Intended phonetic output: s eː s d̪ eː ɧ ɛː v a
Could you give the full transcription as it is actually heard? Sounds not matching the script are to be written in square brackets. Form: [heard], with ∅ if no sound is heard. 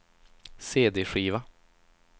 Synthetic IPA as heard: s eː [∅] d̪ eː ɧ [iː] v a